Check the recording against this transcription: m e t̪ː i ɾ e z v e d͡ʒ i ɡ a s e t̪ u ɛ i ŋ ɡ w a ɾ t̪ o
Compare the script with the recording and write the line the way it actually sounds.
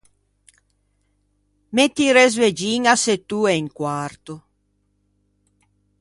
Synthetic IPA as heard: m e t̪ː i ɾ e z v e d͡ʒ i ŋ a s e t̪ u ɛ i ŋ k w a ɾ t̪ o